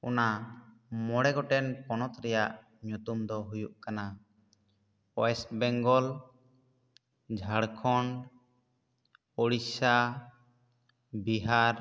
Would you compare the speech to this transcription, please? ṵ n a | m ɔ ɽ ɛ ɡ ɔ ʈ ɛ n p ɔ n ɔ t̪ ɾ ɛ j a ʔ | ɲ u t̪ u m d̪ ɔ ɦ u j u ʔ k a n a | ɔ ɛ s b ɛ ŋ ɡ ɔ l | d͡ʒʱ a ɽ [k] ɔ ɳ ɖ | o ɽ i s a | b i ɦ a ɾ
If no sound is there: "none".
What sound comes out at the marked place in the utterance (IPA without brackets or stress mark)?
kʰ